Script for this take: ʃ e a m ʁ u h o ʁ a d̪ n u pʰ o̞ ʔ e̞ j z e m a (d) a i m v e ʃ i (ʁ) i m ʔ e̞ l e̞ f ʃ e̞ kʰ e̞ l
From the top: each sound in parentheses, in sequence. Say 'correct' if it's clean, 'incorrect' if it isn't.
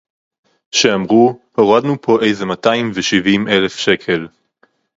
incorrect: t, incorrect: v

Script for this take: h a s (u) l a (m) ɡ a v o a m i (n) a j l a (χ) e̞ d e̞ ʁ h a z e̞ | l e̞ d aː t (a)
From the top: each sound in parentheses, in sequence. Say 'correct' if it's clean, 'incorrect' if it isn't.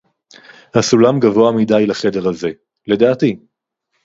correct, correct, incorrect: d, correct, incorrect: i

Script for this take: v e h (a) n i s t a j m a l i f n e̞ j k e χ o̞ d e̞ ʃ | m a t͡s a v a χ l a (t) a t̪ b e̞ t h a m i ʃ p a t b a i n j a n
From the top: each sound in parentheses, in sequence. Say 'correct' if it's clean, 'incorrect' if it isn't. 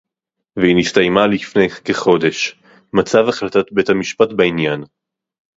incorrect: i, correct

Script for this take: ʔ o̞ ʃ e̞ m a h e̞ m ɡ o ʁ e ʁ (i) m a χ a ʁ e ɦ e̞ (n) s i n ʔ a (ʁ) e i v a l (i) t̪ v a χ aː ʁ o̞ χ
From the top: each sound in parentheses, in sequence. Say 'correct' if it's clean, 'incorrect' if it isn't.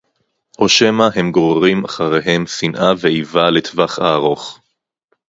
correct, incorrect: m, incorrect: v, incorrect: e

